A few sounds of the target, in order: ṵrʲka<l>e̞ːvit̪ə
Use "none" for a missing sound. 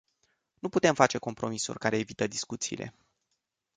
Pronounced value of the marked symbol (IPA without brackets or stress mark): ɾ